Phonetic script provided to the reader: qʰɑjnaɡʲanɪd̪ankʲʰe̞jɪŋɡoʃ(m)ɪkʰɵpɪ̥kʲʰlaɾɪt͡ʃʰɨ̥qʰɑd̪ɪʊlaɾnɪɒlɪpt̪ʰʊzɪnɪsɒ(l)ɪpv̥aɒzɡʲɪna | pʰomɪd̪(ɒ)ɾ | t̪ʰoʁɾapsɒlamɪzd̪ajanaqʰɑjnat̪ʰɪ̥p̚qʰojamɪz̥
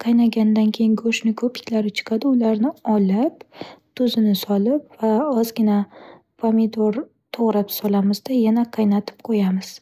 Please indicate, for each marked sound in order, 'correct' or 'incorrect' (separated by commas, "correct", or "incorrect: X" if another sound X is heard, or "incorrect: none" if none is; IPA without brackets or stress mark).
incorrect: n, correct, incorrect: o